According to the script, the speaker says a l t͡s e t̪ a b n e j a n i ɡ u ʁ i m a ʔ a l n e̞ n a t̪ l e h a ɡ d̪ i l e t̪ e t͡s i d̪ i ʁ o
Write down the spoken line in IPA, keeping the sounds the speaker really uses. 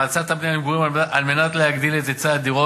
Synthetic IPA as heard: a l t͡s a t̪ a b n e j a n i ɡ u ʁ i m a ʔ a l m e̞ n a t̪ l e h a ɡ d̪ i l e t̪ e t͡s a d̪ i ʁ o